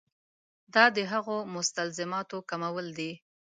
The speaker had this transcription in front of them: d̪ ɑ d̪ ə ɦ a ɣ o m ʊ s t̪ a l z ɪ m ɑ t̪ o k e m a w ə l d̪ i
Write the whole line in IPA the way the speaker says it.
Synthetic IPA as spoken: d̪ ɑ d̪ ə ɦ a ɣ o m ʊ s t̪ a l z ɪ m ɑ t̪ o k a m a w ə l d̪ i